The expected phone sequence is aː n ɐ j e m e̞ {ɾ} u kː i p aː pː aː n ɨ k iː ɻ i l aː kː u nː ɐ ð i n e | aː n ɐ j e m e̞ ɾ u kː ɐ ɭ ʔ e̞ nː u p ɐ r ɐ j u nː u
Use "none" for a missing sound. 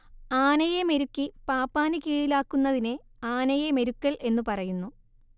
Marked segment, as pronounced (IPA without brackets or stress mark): ɾ